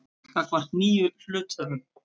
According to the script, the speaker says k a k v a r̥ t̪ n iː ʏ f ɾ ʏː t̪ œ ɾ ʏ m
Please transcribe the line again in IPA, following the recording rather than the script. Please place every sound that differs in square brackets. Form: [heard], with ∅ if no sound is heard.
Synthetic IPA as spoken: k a k v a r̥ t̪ n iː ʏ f [l] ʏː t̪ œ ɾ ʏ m